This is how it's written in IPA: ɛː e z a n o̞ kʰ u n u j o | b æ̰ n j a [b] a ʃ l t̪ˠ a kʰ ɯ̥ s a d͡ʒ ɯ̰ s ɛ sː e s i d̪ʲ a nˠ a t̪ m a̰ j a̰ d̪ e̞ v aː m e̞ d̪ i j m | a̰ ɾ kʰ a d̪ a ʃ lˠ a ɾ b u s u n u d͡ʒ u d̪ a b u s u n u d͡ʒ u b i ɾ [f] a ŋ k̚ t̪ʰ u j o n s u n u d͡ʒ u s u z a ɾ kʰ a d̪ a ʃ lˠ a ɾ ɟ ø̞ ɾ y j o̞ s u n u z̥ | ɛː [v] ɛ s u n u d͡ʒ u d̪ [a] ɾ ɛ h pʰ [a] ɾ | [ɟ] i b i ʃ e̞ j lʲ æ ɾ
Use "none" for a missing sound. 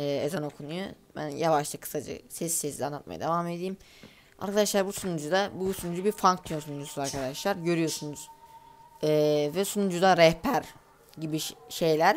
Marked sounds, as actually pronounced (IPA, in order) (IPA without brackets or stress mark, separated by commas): v, f, v, a, æ, ɟ